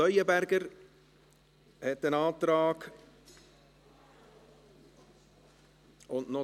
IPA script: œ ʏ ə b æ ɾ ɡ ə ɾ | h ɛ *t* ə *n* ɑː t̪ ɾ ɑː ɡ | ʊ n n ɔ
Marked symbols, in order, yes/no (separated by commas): yes, yes